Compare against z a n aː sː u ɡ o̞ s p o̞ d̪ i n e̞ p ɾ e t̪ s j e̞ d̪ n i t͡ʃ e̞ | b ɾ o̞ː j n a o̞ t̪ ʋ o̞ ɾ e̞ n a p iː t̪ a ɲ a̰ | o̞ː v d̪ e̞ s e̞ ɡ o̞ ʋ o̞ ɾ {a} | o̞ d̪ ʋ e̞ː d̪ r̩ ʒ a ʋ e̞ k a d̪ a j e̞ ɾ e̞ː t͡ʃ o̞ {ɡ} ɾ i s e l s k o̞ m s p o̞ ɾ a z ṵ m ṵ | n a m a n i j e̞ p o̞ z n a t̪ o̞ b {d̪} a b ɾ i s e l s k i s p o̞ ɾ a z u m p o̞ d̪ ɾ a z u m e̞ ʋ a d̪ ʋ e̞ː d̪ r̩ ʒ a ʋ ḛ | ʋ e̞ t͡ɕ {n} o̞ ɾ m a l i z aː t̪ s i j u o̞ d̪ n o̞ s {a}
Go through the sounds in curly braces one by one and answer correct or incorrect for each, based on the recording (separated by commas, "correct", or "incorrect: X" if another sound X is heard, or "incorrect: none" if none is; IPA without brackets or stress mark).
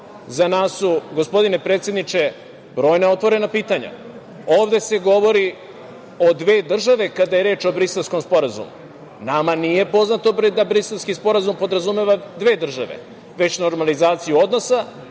incorrect: i, incorrect: b, correct, correct, correct